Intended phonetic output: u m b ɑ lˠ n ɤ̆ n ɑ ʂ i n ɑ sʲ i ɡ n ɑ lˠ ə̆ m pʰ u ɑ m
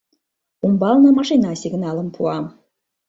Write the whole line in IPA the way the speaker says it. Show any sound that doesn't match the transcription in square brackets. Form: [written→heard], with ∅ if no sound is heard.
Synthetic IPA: u m b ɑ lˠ n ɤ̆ [n→m] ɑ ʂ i n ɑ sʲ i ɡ n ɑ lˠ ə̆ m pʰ u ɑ m